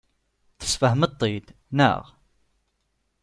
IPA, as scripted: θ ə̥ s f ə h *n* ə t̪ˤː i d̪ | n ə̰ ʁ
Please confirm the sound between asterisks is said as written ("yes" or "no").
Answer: no